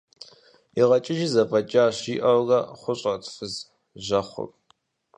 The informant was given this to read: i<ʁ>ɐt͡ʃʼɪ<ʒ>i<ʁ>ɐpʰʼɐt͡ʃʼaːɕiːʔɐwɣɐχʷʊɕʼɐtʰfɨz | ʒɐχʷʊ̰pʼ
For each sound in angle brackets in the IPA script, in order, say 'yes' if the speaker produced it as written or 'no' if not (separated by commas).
yes, yes, no